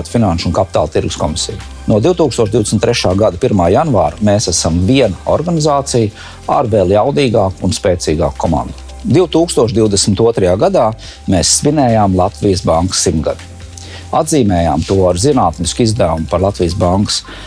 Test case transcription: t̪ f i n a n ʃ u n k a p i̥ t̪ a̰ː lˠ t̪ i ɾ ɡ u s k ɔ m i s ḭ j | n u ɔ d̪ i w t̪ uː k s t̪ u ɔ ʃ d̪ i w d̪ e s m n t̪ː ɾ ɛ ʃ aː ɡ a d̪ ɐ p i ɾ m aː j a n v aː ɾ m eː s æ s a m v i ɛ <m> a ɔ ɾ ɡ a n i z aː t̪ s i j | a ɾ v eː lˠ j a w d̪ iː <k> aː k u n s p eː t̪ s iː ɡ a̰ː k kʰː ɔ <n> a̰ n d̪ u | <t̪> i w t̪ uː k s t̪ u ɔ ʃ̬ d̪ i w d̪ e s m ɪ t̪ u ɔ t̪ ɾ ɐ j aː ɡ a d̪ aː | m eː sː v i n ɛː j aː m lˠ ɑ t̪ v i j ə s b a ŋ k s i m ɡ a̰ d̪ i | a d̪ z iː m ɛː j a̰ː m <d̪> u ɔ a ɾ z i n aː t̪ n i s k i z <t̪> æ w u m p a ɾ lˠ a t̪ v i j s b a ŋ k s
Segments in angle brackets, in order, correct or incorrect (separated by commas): incorrect, incorrect, incorrect, incorrect, incorrect, incorrect